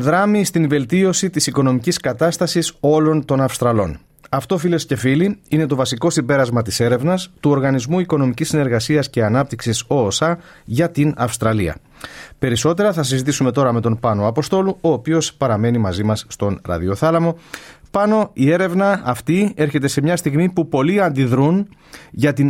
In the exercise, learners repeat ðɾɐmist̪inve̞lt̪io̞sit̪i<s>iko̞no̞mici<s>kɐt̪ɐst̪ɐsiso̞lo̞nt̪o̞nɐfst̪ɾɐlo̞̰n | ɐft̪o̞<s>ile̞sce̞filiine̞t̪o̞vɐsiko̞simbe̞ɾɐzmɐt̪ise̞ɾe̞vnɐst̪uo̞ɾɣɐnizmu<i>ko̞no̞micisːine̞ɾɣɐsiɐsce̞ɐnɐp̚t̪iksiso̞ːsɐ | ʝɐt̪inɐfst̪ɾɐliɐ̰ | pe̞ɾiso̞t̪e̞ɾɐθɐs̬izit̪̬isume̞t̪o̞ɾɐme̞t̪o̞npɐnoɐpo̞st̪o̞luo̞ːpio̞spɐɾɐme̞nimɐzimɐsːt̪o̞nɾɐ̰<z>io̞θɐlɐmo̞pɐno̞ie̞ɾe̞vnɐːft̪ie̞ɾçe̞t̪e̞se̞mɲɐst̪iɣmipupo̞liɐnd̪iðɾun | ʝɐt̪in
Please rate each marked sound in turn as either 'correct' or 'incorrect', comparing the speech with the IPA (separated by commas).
correct, correct, incorrect, correct, incorrect